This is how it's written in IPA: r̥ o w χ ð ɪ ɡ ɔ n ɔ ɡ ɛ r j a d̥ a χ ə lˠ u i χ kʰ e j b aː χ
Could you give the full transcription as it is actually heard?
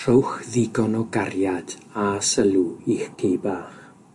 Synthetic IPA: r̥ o w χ ð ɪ ɡ ɔ n ɔ ɡ a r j a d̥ a s ə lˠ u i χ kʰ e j b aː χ

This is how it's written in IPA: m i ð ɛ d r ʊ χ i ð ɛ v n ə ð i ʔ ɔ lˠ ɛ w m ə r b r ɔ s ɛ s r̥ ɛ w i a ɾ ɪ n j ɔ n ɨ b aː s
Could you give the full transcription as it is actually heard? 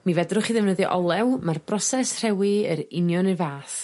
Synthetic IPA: m i v ɛ d r ʊ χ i ð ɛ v n ə ð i ʔ ɔ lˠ ɛ w m a r b r ɔ s ɛ s r̥ ɛ w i ə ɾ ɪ n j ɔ n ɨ v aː θ

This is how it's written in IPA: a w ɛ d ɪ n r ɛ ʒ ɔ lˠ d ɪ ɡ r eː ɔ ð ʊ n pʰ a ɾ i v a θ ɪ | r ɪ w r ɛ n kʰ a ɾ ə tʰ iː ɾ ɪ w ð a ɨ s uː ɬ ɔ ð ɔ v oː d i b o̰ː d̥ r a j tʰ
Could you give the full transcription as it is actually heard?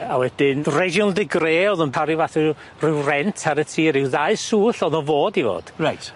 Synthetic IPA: a w ɛ d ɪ n r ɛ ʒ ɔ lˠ d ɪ ɡ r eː ɔ ð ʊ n pʰ a ɾ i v a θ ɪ | r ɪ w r ɛ n tʰ a ɾ ə tʰ iː ɾ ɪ w ð a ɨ s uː ɬ ɔ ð ɔ v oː d i v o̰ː d̥ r a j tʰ

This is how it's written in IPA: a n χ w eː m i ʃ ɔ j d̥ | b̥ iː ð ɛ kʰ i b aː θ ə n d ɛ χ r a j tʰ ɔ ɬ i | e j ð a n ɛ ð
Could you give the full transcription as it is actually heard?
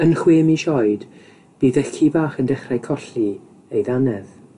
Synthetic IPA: ə n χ w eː m i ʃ ɔ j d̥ | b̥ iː ð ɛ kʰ i b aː χ ə n d ɛ χ r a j kʰ ɔ ɬ i | e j ð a n ɛ ð

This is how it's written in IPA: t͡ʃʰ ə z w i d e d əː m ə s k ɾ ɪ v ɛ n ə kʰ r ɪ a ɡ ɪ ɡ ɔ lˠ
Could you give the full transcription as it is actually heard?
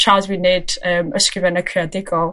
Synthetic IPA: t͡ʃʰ a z w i n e d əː m ə s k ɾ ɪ v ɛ n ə kʰ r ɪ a d ɪ ɡ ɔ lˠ

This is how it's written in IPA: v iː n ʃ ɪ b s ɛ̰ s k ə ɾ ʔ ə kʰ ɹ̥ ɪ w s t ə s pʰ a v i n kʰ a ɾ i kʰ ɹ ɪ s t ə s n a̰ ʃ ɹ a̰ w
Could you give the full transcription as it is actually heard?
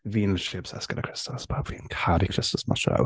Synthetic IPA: v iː n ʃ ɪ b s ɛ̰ s k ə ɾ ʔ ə kʰ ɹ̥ ɪ s t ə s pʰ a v i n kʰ a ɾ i kʰ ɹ ɪ s t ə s m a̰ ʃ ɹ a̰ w

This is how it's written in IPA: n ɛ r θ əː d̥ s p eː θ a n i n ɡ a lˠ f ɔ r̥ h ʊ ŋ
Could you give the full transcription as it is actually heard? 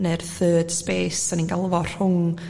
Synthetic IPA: n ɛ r θ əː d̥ s p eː s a n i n ɡ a lˠ v ɔ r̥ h ʊ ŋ

